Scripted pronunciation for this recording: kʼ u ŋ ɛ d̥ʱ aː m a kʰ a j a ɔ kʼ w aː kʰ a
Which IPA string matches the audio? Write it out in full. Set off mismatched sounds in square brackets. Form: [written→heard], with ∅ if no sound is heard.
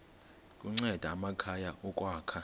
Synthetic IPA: kʼ u [ŋ→ŋ͡ǀ] ɛ d̥ʱ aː m a kʰ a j a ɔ kʼ w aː kʰ a